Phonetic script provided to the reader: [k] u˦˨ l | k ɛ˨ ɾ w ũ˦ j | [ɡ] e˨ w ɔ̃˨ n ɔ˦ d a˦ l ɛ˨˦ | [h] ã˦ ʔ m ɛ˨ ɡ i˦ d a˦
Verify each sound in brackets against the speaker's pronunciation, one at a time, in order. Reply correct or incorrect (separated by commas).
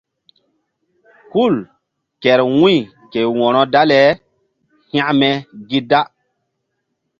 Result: correct, incorrect, correct